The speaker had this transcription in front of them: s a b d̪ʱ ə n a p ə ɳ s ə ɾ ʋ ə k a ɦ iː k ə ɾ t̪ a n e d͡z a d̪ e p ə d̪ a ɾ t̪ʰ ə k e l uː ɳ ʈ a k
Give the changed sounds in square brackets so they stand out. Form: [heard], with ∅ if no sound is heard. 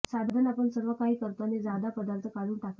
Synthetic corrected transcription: s a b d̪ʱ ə n a p ə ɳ s ə ɾ ʋ ə k a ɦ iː k ə ɾ t̪ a n e d͡z a d̪ [a] p ə d̪ a ɾ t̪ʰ ə k [a] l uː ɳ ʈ a k